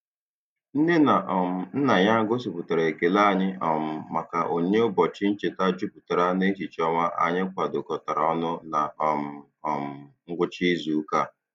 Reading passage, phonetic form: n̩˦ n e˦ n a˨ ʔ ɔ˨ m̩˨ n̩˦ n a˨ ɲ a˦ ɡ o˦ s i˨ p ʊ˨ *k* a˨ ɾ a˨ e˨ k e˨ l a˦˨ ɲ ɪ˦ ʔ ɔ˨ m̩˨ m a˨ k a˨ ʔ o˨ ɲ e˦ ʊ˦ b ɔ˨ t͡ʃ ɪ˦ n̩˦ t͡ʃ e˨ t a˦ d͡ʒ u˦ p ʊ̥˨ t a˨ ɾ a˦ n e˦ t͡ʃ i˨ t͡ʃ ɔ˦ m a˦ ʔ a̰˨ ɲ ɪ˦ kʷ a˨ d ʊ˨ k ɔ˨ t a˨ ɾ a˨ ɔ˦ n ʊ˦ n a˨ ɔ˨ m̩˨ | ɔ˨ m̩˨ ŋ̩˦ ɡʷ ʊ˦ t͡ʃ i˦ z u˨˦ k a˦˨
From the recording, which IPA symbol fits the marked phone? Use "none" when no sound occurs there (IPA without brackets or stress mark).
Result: t